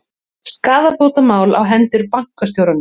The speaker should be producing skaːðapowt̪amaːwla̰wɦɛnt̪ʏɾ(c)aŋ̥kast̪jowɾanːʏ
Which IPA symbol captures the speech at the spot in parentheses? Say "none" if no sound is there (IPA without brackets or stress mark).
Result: p